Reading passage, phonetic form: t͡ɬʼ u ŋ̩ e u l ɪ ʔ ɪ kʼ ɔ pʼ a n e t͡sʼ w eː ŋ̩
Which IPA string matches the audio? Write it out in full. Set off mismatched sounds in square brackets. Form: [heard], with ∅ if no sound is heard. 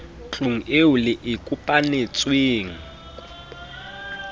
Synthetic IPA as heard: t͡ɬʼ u ŋ̩ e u l ɪ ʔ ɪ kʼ [u] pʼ a n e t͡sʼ w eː ŋ̩